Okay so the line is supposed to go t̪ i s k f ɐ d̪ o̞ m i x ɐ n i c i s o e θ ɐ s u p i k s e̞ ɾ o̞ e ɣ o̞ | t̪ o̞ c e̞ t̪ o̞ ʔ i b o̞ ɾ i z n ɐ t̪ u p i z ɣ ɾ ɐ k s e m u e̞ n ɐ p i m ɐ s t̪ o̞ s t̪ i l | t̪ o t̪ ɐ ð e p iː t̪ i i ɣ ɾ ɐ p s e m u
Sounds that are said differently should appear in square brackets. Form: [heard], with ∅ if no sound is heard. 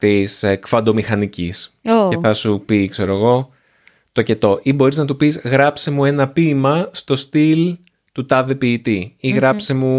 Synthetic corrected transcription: t̪ i s k f ɐ d̪ o̞ m i x ɐ n i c i s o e θ ɐ s u p i k s e̞ ɾ o̞ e ɣ o̞ | t̪ o̞ c e̞ t̪ o̞ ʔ i b o̞ ɾ i z n ɐ t̪ u p i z ɣ ɾ ɐ [p] s e m u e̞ n ɐ p i m ɐ s t̪ o̞ s t̪ i l | t̪ [u] t̪ ɐ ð e p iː t̪ i i ɣ ɾ ɐ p s e m u